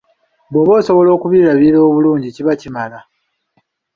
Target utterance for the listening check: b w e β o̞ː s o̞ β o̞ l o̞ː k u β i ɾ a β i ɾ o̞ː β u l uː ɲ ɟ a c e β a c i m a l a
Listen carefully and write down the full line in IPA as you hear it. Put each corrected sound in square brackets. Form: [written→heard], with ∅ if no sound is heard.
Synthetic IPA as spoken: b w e β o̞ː s o̞ β o̞ l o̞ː k u β i ɾ a β i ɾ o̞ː β u l uː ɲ ɟ [a→i] c [e→i] β a c i m a l a